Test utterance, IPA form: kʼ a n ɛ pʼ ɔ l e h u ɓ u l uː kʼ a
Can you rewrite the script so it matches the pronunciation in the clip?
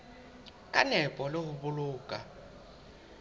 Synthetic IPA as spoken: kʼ a n ɛ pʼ ɔ l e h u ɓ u l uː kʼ a